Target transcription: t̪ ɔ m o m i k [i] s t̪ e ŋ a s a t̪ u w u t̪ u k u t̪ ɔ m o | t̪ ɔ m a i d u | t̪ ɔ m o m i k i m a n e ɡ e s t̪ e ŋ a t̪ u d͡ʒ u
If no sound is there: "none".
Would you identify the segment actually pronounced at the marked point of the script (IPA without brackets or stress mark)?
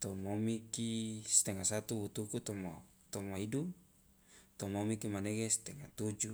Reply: i